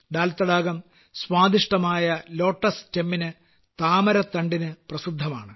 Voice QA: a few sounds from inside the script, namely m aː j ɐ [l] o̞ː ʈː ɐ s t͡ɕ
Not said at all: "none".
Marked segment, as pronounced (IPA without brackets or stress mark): l